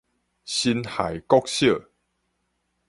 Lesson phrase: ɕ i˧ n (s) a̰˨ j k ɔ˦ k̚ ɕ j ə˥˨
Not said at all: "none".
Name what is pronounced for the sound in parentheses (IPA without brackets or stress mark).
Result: h